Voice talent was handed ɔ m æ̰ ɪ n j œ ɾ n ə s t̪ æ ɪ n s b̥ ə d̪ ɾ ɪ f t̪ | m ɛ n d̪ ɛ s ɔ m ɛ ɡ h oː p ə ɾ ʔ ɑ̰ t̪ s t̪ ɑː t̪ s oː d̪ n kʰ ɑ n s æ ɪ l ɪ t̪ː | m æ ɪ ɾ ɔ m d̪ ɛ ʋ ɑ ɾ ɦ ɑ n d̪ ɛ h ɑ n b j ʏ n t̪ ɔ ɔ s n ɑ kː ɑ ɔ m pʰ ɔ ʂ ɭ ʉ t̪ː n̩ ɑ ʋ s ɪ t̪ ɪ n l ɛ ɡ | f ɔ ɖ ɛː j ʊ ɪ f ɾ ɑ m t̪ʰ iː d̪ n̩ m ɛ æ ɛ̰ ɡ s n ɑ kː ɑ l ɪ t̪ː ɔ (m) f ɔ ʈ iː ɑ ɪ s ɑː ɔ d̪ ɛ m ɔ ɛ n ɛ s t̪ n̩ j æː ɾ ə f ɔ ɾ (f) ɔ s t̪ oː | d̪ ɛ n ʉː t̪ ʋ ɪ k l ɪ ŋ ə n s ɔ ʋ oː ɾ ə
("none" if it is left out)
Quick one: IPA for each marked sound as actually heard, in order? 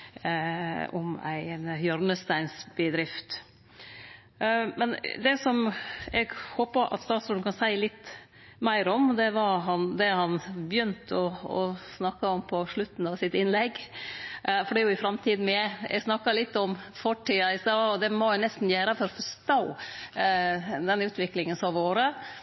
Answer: m, f

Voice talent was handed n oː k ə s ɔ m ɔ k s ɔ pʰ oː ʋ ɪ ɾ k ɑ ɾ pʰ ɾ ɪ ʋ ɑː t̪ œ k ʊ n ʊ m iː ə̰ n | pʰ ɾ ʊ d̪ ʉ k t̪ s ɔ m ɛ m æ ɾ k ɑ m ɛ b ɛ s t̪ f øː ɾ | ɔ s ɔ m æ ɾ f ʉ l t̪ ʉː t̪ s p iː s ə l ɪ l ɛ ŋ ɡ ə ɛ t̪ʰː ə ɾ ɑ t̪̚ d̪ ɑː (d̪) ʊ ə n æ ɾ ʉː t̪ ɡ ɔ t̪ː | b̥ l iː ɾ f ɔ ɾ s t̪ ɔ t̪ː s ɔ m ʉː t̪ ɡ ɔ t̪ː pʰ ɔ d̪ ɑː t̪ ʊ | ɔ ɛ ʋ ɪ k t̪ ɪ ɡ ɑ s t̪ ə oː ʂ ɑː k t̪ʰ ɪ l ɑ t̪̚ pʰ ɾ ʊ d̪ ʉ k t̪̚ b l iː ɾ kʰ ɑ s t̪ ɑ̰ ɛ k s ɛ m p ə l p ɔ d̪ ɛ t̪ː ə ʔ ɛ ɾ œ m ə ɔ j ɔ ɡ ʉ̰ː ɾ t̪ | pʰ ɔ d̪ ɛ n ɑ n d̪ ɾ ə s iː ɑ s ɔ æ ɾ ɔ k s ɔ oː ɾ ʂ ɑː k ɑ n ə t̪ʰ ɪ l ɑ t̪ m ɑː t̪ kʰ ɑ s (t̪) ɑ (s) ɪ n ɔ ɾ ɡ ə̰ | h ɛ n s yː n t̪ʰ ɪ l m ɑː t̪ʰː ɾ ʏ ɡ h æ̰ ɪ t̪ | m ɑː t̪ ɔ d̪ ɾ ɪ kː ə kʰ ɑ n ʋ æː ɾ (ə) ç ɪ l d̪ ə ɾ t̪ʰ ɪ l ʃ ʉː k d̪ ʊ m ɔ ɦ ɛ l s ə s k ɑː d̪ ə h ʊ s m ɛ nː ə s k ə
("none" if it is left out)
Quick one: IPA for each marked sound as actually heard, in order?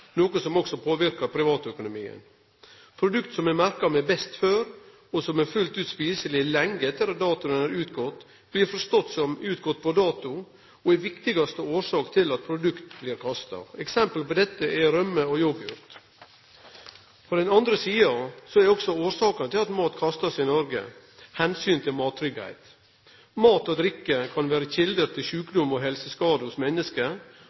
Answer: t̪, t̪, s, ə

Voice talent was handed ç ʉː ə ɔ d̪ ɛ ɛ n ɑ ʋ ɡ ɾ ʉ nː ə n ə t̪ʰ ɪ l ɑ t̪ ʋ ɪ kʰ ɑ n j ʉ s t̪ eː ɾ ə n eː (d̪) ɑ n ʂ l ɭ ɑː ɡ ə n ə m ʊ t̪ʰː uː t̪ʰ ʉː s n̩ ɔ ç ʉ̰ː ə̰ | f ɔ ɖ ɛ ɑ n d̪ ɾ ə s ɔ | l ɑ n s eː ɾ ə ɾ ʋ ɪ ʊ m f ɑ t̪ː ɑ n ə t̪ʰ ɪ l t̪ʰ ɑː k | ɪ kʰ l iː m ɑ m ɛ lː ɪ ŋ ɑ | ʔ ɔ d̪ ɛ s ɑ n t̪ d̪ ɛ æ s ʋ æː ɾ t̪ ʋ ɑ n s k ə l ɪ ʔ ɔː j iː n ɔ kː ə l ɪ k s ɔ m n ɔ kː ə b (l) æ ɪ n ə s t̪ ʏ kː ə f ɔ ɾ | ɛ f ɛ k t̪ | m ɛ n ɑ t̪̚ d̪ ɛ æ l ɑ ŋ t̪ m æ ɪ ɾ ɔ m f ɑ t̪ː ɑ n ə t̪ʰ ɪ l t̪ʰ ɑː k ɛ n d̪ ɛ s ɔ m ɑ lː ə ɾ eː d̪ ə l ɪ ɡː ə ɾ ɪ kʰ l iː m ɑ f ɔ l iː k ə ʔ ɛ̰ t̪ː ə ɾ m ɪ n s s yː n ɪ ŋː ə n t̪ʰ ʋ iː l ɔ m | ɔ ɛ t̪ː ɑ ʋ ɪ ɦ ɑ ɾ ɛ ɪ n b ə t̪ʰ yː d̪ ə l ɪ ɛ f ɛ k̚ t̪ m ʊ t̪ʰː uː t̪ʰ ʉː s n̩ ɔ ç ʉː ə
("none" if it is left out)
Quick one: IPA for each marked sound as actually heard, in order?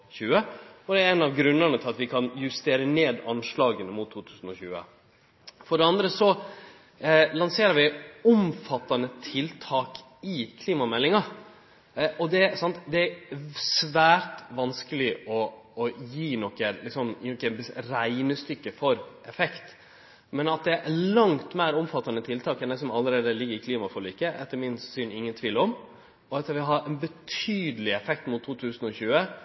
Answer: d̪, ɾ

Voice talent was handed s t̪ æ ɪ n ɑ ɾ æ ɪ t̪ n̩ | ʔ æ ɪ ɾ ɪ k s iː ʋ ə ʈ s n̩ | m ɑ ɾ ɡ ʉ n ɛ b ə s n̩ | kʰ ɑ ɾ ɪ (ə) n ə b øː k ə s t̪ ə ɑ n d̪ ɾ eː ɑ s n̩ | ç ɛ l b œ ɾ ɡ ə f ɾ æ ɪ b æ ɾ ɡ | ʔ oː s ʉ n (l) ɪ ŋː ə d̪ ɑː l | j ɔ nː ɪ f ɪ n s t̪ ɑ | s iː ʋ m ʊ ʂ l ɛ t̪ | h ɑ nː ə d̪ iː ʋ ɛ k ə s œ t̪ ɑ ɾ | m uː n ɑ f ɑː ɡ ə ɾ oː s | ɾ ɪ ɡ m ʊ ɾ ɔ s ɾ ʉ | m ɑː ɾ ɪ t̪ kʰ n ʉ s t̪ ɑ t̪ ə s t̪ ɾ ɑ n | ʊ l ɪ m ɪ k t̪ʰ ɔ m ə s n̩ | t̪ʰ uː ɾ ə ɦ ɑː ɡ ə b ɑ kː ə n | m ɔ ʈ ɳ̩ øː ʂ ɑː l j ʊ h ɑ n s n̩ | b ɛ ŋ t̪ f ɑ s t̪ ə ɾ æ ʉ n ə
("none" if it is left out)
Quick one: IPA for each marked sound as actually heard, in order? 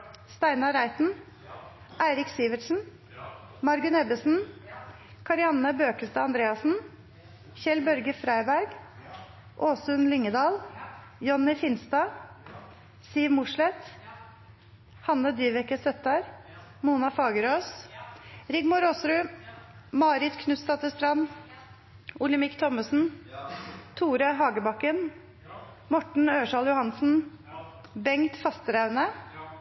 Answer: ɑ, l

